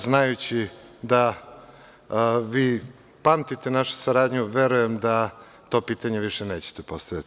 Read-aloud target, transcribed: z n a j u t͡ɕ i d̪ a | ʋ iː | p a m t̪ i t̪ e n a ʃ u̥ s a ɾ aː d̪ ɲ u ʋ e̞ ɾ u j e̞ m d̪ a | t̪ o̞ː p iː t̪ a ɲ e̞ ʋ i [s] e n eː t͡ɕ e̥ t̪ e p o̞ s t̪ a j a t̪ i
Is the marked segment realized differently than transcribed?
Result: yes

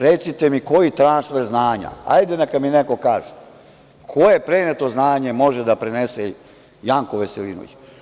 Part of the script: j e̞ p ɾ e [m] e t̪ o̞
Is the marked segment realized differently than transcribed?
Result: yes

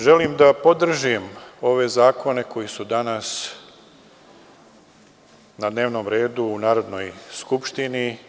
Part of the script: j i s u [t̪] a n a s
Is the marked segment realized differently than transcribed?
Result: yes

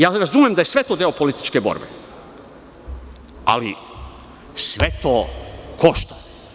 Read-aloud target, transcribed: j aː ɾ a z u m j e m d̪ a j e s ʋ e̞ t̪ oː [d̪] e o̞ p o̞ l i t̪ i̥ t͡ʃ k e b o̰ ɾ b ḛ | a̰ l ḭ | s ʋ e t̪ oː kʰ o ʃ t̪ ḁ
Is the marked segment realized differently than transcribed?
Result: no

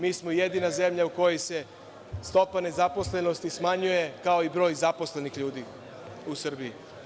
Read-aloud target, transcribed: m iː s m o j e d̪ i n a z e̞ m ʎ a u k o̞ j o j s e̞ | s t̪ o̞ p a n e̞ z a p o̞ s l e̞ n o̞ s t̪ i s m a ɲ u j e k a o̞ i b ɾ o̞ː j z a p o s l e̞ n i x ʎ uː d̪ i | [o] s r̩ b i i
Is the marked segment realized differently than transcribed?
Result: yes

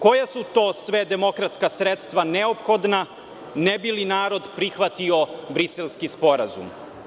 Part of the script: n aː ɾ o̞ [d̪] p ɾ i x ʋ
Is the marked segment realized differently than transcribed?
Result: no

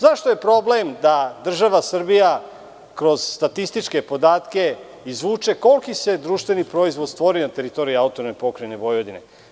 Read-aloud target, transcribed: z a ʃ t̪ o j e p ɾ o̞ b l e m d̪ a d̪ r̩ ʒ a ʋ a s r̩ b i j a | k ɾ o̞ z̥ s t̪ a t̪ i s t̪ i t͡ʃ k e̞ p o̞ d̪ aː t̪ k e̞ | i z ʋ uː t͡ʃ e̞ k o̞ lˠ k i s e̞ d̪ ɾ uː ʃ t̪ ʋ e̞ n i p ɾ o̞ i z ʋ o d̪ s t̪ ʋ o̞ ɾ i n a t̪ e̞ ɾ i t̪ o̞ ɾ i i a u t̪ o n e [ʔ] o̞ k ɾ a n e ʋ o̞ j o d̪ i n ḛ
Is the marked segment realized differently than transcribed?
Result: yes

